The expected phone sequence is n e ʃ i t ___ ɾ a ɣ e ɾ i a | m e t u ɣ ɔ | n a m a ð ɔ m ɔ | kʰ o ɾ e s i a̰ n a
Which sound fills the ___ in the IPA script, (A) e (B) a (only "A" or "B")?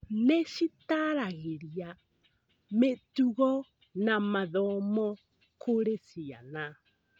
B